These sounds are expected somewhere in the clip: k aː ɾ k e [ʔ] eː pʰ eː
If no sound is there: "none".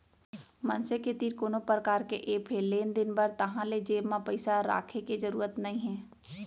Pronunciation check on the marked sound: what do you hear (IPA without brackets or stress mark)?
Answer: ʔ